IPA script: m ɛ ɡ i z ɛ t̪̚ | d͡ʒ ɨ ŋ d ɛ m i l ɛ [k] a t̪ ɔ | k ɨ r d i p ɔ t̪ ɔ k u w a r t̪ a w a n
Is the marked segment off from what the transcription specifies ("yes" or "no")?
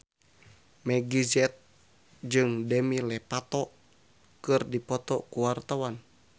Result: yes